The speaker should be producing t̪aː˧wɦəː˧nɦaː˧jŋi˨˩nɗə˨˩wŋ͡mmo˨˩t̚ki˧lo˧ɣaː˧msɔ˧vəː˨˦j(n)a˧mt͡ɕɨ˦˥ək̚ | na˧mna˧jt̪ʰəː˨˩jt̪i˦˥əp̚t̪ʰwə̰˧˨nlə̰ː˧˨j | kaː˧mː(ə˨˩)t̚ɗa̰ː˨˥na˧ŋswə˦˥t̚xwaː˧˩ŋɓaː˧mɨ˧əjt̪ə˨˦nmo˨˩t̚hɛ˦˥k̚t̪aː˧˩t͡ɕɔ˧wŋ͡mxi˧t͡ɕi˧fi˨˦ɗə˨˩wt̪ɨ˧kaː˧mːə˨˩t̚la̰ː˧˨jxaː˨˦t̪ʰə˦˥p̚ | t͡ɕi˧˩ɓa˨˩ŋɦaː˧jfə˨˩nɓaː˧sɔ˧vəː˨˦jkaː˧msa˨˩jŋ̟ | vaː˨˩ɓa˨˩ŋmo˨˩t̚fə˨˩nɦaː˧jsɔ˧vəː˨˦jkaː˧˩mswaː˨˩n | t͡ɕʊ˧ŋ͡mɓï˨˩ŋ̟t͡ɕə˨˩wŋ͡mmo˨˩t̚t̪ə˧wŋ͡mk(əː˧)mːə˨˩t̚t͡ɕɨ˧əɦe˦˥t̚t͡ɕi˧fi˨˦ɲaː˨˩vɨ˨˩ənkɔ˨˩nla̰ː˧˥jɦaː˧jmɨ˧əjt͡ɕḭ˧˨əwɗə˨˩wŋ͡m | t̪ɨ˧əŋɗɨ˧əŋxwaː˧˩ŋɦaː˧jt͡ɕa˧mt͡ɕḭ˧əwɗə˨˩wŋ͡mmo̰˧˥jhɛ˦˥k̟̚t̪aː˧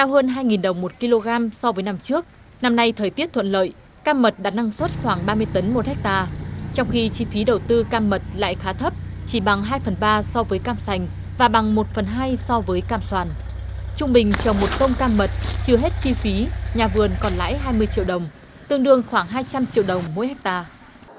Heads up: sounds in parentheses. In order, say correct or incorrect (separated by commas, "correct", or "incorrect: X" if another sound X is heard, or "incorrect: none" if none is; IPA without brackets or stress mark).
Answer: correct, correct, incorrect: aː˧